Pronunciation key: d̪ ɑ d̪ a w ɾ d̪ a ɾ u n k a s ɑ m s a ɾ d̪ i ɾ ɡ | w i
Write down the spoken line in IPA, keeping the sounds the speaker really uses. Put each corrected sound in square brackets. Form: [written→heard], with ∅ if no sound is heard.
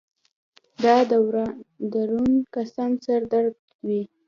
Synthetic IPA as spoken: d̪ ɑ d̪ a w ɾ d̪ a ɾ u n k a s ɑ [m→n] s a ɾ d̪ [i→a] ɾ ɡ | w i

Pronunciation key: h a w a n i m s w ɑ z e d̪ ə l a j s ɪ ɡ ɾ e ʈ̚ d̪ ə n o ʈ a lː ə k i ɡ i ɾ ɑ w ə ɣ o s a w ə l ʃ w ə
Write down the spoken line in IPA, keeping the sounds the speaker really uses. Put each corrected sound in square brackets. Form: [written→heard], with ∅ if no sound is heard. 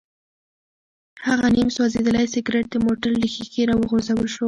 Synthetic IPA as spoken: h a [w→ɣ] a n i m s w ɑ z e d̪ ə l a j s ɪ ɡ ɾ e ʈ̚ d̪ ə [n→m] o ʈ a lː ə [k→x] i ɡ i ɾ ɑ w ə ɣ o [s→z] a w ə l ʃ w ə

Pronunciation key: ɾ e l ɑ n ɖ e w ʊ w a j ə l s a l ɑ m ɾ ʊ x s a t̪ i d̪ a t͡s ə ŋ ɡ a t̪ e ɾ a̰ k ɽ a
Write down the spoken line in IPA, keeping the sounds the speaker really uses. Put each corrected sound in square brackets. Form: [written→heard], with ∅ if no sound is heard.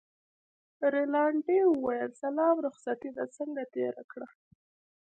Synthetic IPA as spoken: ɾ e l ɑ [n→ɳ] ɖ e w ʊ w a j ə l s a l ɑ m ɾ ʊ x s a t̪ i d̪ a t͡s ə ŋ ɡ a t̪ e ɾ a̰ k ɽ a

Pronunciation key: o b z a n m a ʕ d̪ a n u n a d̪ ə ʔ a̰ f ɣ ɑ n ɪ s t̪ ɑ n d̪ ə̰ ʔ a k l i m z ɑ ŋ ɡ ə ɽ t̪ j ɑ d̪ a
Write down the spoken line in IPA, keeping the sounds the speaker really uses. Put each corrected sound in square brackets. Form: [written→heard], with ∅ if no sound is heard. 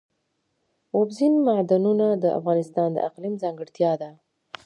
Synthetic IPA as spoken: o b z [a→i] n m a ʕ d̪ a n u n a d̪ ə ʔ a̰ f ɣ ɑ n ɪ s t̪ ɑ n d̪ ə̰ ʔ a [k→q] l i m z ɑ ŋ ɡ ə ɽ t̪ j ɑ d̪ a

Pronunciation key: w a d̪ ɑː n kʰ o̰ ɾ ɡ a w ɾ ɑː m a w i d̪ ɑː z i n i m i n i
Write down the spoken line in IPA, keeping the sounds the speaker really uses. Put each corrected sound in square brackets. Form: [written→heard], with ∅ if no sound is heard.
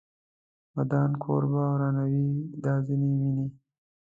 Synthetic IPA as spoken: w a d̪ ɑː n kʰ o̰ ɾ [ɡ→b] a w ɾ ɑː [m→n] a w i d̪ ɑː z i n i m i n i

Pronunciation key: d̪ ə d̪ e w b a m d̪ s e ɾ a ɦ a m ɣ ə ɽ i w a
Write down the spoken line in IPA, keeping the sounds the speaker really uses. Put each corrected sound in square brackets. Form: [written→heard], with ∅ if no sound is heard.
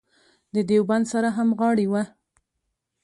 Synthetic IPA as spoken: d̪ ə d̪ e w b a [m→n] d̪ s [e→a] ɾ a ɦ a m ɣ [ə→ɑ] ɽ i w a

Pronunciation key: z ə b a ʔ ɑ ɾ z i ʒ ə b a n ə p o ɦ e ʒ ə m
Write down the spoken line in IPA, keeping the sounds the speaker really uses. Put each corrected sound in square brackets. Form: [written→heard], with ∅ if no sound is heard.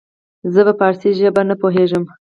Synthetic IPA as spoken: z ə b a [ʔ→p] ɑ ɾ [z→s] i ʒ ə b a n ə p o ɦ e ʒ ə m

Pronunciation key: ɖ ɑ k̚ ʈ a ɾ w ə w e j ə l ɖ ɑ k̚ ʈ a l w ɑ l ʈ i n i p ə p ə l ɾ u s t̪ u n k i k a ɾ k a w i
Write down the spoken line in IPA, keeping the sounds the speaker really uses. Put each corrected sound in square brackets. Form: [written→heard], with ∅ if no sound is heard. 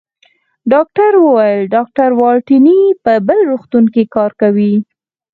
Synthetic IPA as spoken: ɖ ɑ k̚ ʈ a ɾ w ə w [e→a] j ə l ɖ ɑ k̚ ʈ a [l→ɾ] w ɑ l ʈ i n i p ə [p→b] ə l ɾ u [s→x] t̪ u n k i k [a→ɑ] ɾ k a w i

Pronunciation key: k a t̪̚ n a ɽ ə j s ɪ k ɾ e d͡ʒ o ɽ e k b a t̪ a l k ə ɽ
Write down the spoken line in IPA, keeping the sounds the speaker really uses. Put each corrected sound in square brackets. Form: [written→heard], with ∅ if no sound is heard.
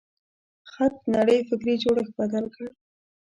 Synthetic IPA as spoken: [k→x] a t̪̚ n a ɽ ə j [s→f] ɪ k ɾ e d͡ʒ o ɽ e [k→x] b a [t̪→d̪] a l k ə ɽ

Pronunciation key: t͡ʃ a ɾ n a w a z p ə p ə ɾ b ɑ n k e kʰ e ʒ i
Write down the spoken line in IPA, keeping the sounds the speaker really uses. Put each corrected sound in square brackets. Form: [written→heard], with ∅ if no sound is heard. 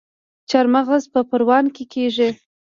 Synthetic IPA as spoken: t͡ʃ a ɾ [n→m] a [w→ɣ] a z p ə p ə ɾ [b→w] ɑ n k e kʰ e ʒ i

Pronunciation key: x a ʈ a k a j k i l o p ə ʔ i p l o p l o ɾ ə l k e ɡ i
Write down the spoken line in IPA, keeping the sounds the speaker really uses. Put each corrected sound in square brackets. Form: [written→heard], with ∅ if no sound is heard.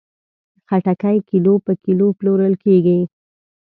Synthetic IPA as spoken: x a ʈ a k a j k i l o p ə [ʔ→k] i [p→∅] l o p l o ɾ ə l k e ɡ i

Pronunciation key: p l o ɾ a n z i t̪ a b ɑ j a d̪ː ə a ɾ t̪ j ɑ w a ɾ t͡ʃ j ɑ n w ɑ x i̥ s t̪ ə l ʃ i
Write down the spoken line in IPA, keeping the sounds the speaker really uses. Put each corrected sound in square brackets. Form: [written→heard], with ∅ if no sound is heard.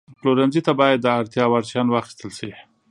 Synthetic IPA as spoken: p l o ɾ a n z i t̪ a b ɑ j a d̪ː ə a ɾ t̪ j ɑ w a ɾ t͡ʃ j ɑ n w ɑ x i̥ s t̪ ə l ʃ i

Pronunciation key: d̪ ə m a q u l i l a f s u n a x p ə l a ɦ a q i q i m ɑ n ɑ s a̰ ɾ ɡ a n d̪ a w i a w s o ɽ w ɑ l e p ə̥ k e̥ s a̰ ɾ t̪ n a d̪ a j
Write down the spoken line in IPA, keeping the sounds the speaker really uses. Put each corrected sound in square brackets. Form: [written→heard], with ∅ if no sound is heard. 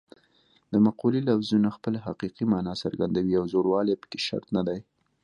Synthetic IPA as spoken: d̪ ə m a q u l i l a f [s→z] u n a x p ə l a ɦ a q i q i m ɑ n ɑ s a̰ ɾ ɡ a n d̪ a w i a w [s→z] o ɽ w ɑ l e p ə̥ k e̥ [s→ʃ] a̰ ɾ t̪ n a d̪ a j

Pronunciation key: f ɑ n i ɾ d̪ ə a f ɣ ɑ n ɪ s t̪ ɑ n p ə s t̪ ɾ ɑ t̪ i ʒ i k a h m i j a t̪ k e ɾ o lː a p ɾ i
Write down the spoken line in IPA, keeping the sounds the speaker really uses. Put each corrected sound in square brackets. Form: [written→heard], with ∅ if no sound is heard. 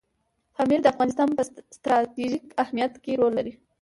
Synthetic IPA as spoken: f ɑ [n→m] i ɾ d̪ ə a f ɣ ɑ n ɪ s t̪ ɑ n p ə s t̪ ɾ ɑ t̪ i ʒ i k a h m i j a t̪ k e ɾ o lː a [p→∅] ɾ i

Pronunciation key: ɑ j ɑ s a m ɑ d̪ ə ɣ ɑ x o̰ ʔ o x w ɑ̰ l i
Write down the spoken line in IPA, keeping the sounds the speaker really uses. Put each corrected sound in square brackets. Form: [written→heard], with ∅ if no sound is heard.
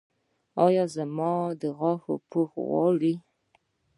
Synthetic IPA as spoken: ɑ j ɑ [s→z] a m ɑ d̪ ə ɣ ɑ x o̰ [ʔ→p] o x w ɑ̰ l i

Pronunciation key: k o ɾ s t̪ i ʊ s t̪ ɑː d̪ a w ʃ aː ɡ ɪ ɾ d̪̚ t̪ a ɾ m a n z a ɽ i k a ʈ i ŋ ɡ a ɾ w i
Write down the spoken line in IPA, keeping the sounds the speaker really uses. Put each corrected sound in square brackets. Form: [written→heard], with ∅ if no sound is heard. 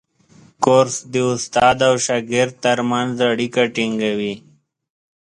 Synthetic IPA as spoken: k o ɾ s [t̪→d̪] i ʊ s t̪ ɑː d̪ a w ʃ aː ɡ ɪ ɾ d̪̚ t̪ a ɾ m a n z a ɽ i k a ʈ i ŋ ɡ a [ɾ→∅] w i

